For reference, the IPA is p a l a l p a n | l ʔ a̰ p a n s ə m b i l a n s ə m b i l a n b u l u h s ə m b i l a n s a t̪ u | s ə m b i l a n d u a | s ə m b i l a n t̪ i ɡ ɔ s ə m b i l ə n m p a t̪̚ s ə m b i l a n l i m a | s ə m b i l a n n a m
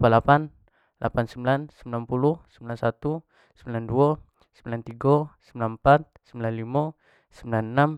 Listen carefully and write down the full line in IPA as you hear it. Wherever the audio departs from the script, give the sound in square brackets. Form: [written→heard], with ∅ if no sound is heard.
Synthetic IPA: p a l a [l→∅] p a n | l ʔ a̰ p a n s ə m b i l a n s ə m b i l a n [b→p] u l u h s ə m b i l a n s a t̪ u | s ə m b i l a n d u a | s ə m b i l a n t̪ i ɡ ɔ s ə m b i l [ə→a] n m p a t̪̚ s ə m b i l a n l i m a | s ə m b i l a n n a m

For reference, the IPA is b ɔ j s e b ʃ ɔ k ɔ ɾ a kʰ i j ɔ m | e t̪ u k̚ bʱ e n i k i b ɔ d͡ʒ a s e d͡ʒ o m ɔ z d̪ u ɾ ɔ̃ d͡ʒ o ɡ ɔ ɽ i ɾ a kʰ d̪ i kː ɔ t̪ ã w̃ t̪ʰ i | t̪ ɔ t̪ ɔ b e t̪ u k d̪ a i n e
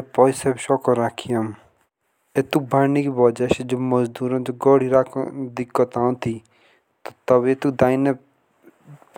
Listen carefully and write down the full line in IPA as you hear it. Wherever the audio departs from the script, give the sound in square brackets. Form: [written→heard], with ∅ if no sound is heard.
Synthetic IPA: [b→p] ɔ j s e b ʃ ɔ k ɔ ɾ a kʰ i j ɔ m | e t̪ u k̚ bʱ [e→a] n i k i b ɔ d͡ʒ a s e d͡ʒ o m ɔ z d̪ u ɾ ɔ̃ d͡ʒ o ɡ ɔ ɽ i ɾ a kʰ d̪ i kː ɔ t̪ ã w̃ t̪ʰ i | t̪ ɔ t̪ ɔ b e t̪ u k d̪ a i n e

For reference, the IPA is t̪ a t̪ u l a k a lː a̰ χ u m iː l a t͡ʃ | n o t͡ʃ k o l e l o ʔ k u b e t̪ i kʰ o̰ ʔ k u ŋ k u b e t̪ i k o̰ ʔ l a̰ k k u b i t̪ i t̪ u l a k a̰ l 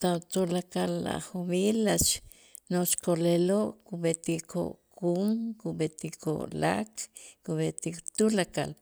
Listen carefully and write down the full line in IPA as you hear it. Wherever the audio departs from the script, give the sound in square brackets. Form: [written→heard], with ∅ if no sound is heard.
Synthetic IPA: t̪ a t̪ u l a k a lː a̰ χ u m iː l a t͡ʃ | n o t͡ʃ k o l e l o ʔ k u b e t̪ i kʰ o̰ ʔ k u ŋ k u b e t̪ i k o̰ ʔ l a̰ k k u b [i→e] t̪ i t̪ u l a k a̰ l

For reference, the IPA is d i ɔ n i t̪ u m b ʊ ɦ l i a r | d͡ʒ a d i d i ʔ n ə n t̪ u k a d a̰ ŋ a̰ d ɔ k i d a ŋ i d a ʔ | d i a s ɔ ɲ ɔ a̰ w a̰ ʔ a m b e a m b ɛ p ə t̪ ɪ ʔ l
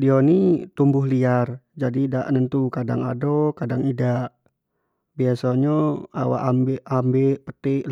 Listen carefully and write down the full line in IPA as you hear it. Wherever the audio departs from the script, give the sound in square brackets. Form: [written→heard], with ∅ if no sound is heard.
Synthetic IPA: d i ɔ n i t̪ u m b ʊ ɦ l i a r | d͡ʒ a d i d [i→a] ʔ n ə n t̪ u k a d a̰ ŋ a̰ d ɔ k [i→a] d a ŋ i d a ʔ | [d→b] i a s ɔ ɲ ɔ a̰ w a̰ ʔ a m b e a m b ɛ p ə t̪ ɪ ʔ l

